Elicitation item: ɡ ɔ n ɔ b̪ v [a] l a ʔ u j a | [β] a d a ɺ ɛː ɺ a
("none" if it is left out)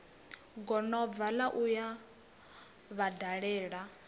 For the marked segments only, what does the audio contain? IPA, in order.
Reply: a, β

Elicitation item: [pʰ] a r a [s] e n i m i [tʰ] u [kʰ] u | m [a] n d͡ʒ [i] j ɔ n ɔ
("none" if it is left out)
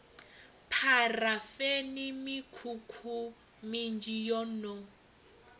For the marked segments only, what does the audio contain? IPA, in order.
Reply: pʰ, f, kʰ, kʰ, i, i

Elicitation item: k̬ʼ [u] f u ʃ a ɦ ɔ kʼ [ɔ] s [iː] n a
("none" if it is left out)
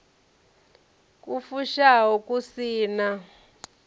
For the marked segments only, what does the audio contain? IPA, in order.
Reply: u, u, iː

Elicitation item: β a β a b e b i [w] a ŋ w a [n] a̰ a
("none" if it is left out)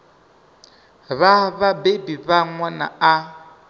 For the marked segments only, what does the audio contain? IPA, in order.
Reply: β, n

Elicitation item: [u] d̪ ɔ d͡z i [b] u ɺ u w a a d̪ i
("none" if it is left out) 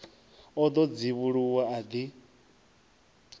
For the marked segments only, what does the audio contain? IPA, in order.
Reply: ɔ, β

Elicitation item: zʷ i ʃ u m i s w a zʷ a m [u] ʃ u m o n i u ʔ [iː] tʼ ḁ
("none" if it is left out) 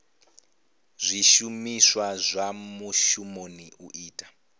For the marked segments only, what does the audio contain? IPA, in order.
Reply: u, iː

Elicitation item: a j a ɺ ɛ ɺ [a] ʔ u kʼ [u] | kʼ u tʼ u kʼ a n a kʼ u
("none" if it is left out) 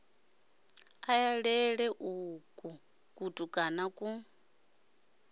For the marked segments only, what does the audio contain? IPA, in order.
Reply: ɛ, u

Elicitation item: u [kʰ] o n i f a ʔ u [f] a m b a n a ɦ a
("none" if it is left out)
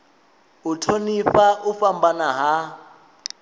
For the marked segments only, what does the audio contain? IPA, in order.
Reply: tʰ, f

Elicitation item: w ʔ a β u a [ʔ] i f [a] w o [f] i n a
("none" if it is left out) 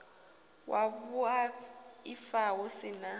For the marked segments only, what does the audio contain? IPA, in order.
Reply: none, a, s

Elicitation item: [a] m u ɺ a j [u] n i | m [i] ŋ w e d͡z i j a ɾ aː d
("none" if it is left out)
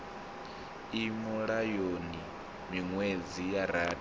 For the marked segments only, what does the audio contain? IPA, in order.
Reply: i, o, i

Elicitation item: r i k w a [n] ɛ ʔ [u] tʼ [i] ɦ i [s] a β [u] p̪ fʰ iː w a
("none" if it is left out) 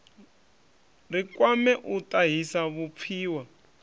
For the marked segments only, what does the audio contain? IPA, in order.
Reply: m, u, a, s, u

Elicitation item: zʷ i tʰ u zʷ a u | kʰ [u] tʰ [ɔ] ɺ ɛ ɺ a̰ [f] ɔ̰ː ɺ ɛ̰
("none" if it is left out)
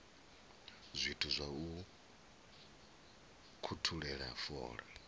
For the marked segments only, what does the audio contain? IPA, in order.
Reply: u, u, f

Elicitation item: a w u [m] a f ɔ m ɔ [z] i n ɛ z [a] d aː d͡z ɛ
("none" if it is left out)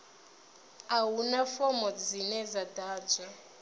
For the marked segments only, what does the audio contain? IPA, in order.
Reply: n, d͡z, a

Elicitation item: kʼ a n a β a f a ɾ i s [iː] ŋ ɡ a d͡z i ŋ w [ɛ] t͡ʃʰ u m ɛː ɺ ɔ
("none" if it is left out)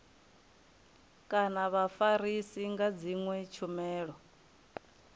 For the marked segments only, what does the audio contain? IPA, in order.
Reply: i, ɛ

